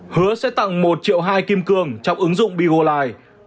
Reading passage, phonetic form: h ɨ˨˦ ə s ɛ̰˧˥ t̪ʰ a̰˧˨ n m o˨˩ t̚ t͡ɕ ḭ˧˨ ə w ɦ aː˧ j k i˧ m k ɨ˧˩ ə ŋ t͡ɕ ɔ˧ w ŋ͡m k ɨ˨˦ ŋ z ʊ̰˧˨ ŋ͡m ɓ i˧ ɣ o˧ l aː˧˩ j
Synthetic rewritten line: h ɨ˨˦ ə s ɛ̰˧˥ t̪ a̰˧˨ ŋ m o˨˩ t̚ t͡ɕ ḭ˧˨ ə w ɦ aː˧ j k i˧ m k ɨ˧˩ ə ŋ t͡ɕ ɔ˧ w ŋ͡m ʔ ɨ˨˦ ŋ z ʊ̰˧˨ ŋ͡m ɓ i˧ ɣ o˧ l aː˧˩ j